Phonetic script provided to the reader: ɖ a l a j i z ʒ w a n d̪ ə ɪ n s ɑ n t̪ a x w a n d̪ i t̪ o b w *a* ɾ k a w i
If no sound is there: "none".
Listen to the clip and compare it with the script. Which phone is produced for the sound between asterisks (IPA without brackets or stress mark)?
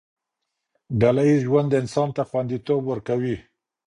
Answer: ə